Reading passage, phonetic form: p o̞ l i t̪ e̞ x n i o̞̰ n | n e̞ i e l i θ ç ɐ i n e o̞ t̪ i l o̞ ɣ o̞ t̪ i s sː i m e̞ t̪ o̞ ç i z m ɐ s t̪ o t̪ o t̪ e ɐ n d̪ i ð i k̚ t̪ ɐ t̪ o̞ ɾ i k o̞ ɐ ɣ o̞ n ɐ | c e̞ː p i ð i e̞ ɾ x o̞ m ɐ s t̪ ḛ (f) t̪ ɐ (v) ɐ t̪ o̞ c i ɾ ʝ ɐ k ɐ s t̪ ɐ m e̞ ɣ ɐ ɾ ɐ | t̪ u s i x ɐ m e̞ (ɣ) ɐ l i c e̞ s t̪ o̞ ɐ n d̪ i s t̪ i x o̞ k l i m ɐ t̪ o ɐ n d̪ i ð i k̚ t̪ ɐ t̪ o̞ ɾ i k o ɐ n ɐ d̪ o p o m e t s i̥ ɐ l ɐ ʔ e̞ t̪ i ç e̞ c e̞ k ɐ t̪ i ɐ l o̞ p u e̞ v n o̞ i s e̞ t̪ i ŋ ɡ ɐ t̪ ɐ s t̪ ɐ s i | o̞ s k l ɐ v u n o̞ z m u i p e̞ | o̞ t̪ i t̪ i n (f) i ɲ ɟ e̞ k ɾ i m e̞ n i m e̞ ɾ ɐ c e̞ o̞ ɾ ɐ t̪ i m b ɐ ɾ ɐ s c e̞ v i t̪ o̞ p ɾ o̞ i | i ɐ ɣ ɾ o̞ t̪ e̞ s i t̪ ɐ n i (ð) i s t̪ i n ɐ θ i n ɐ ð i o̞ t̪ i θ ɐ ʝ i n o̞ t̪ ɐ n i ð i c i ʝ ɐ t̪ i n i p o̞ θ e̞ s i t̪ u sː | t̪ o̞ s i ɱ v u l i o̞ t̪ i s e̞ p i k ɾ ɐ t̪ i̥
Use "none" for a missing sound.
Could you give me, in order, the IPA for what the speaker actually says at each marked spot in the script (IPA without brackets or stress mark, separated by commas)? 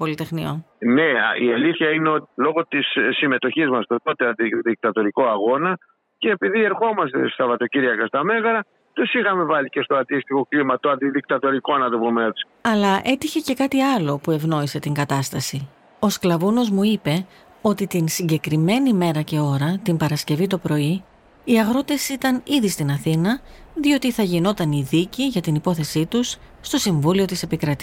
s, v, v, s, ð